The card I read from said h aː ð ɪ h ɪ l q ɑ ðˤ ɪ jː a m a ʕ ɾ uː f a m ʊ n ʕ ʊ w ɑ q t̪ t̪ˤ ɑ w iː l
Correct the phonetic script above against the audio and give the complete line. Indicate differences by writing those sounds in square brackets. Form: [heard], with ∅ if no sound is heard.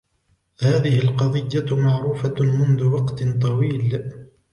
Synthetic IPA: h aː ð ɪ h ɪ l q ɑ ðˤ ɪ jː a m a ʕ ɾ uː f a m ʊ n [ð] ʊ w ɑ q t̪ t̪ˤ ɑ w iː l